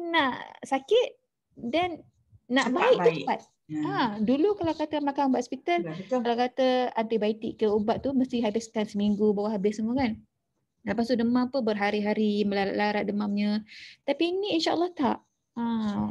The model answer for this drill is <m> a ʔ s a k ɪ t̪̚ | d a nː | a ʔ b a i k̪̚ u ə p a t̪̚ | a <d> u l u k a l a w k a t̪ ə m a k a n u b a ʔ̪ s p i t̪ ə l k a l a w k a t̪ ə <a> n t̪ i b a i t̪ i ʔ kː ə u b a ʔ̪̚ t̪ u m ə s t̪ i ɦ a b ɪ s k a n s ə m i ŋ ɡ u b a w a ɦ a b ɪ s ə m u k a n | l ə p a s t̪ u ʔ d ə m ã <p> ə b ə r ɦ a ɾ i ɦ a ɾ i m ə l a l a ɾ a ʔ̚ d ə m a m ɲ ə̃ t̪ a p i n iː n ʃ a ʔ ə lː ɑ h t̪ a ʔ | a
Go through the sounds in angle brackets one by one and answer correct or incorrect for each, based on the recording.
incorrect: n, correct, correct, correct

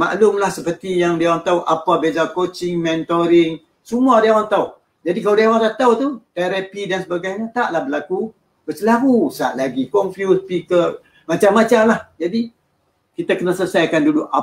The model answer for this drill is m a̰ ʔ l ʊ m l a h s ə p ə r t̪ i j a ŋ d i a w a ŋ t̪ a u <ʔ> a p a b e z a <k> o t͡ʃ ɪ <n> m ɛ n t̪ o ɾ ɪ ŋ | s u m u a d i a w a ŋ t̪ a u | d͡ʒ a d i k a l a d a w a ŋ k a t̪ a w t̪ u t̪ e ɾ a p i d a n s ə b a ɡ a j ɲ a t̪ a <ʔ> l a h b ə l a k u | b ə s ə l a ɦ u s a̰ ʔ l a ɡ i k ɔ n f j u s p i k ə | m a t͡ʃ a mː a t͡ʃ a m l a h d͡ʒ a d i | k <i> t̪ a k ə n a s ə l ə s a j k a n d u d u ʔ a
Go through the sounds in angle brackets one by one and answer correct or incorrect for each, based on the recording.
correct, correct, incorrect: ŋ, correct, correct

